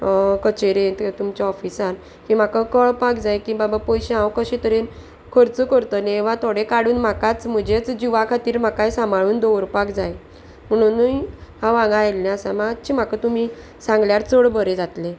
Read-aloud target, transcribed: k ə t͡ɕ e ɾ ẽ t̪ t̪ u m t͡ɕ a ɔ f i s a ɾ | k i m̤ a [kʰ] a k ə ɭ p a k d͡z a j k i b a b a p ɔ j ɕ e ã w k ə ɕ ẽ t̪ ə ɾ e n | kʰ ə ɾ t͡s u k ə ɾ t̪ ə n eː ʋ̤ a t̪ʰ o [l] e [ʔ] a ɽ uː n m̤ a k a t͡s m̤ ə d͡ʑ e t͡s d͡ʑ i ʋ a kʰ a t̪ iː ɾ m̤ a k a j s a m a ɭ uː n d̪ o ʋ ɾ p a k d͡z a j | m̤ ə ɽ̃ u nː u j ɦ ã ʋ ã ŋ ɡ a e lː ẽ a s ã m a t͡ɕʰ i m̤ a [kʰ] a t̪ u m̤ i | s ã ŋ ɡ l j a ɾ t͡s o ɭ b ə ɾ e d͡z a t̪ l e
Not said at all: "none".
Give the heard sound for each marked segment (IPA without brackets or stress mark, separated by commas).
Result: k, ɽ, k, k